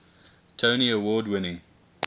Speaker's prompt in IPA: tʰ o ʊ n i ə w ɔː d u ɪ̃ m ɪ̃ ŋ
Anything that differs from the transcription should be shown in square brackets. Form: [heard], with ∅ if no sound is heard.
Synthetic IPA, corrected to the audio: tʰ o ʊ n i ə w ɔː d [w] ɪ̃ [n] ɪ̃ ŋ